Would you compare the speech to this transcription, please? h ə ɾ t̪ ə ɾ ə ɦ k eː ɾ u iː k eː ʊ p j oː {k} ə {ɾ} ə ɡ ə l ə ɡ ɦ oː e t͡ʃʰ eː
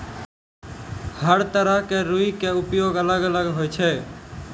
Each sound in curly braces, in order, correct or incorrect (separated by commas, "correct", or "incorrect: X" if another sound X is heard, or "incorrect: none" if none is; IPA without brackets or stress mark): incorrect: ɡ, incorrect: l